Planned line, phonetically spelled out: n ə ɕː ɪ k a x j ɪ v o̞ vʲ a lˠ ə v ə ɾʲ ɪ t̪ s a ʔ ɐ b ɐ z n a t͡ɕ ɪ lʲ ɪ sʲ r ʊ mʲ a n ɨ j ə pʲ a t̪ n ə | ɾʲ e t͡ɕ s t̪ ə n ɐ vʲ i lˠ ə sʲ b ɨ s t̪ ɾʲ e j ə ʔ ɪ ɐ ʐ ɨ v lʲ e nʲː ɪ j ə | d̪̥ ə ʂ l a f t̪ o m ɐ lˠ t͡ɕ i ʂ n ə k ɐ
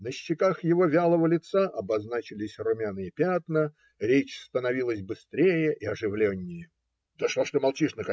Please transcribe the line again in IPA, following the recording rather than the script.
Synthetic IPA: n ə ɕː ɪ k a x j ɪ v o̞ vʲ a lˠ ə v ə lʲ ɪ t̪ s a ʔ ɐ b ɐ z n a t͡ɕ ɪ lʲ ɪ sʲ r ʊ mʲ a n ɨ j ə pʲ a t̪ n ə | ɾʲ e t͡ɕ s t̪ ə n ɐ vʲ i lˠ ə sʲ b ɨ s t̪ ɾʲ e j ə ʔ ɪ ɐ ʐ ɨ v lʲ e nʲː ɪ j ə | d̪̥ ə ʂ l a ʂ t̪ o m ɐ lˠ t͡ɕ i ʂ n ə k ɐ